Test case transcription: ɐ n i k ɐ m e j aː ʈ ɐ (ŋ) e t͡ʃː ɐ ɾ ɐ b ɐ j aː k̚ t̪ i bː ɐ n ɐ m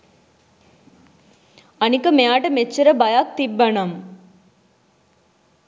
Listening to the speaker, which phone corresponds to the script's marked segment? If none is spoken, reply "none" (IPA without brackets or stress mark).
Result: m